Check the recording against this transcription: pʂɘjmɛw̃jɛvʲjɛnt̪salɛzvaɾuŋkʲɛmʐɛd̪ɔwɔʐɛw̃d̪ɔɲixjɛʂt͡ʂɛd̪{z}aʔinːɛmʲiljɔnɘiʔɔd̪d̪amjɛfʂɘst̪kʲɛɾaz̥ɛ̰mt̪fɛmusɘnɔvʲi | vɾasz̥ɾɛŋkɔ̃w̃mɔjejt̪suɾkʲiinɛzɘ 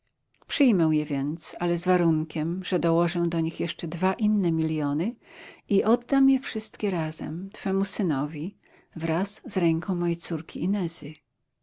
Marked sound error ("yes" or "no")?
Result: yes